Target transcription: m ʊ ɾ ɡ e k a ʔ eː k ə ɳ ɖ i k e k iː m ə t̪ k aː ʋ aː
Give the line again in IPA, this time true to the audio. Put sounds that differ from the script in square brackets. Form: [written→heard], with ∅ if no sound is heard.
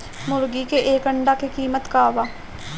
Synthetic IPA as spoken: m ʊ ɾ ɡ [e→i] k [a→e] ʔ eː k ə ɳ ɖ [i→a] k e k iː m ə t̪ k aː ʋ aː